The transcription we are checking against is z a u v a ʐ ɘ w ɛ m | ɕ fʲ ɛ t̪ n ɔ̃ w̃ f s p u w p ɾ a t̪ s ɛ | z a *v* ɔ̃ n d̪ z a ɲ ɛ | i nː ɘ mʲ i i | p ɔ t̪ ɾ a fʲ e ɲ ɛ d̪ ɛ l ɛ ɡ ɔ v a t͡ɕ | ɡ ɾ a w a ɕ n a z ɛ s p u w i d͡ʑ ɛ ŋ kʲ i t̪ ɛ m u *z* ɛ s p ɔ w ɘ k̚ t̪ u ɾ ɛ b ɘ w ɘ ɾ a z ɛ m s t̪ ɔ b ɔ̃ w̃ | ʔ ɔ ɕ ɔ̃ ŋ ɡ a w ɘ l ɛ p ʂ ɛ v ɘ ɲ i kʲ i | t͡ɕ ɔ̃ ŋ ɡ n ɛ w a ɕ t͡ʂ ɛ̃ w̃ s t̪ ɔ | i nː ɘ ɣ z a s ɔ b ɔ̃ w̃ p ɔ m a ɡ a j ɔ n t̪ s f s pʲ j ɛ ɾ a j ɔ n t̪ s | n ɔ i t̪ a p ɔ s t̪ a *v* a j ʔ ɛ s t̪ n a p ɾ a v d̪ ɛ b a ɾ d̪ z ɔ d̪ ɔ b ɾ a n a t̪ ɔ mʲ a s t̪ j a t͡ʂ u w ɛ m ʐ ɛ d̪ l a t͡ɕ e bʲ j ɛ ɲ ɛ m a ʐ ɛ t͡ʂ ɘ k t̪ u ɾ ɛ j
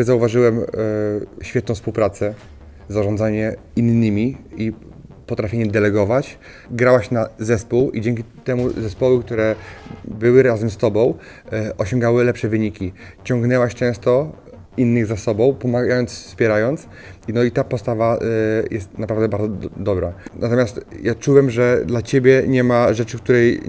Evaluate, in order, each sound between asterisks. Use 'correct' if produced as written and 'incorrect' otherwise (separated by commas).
incorrect, correct, correct